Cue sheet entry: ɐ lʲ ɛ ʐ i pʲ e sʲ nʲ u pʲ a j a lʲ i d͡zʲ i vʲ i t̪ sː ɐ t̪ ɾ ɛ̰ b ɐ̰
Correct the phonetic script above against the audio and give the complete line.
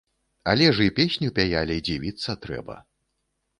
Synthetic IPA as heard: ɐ lʲ ɛ ʐ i pʲ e sʲ nʲ u pʲ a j a lʲ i d͡zʲ i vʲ i t̪ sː ɐ t̪ ɾ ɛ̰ b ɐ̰